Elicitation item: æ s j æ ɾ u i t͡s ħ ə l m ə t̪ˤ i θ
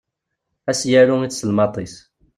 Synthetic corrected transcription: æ s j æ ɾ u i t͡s s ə l m ɑ t̪ˤ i s